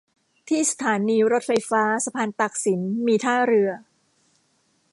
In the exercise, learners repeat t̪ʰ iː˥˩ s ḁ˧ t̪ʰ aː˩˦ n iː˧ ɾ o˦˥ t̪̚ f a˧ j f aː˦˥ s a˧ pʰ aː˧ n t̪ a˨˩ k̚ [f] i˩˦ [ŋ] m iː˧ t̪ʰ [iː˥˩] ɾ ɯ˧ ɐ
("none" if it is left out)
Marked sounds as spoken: s, n, aː˥˩

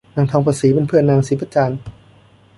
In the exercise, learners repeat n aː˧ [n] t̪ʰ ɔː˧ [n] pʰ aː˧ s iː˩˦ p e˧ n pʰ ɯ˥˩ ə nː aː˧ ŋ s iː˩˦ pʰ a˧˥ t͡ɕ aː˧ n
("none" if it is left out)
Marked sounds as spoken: ŋ, ŋ

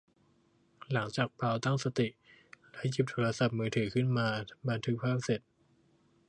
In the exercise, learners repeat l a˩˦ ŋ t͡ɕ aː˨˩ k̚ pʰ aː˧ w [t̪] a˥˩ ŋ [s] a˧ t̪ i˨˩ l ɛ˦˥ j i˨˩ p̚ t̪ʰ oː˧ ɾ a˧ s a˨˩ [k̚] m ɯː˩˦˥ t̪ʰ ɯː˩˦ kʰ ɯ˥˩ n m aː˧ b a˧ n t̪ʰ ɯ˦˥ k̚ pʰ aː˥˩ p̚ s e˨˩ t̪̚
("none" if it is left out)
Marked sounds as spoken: t̪, s, p̚

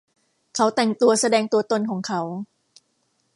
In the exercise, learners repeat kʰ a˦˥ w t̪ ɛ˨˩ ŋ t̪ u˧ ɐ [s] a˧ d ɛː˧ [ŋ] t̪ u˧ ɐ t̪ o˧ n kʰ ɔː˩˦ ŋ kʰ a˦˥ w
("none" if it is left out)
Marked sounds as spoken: s, ŋ

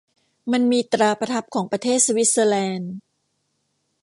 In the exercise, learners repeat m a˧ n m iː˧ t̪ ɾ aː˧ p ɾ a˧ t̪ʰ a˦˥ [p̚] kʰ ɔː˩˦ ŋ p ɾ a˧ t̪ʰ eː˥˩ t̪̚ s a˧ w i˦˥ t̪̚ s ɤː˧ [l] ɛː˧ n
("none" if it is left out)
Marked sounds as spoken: p̚, l

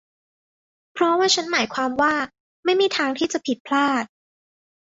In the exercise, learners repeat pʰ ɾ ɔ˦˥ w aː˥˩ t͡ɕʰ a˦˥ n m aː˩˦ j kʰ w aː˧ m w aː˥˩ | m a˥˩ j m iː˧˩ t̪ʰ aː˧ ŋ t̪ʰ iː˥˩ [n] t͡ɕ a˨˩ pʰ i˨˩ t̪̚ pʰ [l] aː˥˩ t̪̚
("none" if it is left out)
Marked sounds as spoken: none, l

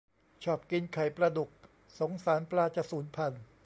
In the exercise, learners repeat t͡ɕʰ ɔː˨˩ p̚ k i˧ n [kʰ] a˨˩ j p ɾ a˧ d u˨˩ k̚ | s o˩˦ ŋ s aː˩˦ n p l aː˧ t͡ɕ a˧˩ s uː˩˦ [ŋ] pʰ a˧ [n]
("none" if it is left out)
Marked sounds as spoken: kʰ, n, n

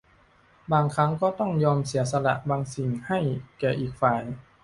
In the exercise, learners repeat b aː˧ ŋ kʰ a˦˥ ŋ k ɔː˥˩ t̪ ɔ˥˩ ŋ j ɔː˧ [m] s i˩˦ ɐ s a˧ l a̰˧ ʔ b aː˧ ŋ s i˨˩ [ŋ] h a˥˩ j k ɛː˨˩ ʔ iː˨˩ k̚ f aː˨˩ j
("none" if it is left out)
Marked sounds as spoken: m, ŋ

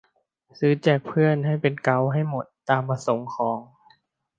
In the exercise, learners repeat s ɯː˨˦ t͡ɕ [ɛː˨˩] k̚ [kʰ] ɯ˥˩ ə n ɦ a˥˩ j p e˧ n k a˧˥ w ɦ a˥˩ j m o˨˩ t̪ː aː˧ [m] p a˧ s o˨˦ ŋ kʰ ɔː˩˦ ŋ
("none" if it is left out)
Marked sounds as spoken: ɛː˨˩, pʰ, m

